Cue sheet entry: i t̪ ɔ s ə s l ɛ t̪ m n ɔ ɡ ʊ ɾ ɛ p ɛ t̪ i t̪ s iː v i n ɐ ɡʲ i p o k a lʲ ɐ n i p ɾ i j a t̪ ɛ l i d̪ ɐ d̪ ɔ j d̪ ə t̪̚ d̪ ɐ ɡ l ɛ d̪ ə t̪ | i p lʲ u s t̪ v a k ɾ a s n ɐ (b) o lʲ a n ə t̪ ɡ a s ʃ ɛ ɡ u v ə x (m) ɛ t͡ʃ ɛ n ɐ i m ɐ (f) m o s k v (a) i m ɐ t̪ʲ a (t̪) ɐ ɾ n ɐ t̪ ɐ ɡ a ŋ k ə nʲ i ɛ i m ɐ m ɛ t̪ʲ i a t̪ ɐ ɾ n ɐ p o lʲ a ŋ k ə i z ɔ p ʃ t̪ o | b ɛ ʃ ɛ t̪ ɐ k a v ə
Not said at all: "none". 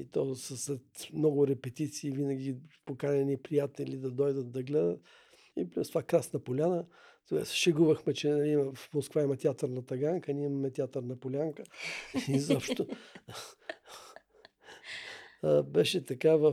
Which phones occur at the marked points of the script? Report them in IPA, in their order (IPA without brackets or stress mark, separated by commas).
p, m, f, a, t̪